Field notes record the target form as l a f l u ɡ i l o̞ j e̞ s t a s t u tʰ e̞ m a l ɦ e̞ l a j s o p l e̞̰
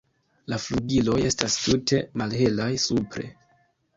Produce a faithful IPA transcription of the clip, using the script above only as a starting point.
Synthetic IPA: l a f l u ɡ i l o̞ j e̞ s t a s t u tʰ e̞ m a l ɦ e̞ l a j s u p ɾ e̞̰